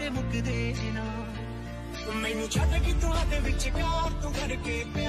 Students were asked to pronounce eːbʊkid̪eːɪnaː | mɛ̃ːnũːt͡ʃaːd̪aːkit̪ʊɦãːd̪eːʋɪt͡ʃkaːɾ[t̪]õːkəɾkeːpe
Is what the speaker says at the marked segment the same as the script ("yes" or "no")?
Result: yes